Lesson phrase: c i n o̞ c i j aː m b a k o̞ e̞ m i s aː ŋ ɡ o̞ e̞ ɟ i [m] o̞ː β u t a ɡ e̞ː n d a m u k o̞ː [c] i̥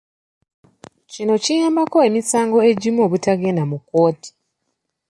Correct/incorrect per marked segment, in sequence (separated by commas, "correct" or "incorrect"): correct, incorrect